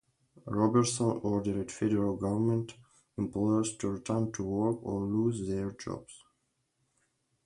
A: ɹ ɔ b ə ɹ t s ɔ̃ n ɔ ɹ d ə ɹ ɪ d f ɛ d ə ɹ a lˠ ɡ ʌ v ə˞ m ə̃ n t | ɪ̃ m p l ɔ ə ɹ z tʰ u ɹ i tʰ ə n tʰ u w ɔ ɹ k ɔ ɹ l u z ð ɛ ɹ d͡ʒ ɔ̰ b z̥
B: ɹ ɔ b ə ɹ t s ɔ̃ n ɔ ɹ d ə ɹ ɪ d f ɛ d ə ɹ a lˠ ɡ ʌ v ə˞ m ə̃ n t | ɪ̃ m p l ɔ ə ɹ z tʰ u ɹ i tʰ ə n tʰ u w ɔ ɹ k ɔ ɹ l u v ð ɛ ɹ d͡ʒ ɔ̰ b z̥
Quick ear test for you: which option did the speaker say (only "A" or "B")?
A